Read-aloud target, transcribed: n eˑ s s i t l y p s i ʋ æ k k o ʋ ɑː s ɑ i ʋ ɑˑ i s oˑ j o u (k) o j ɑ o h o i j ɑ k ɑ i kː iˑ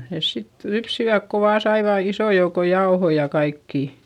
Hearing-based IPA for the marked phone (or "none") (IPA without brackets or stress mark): k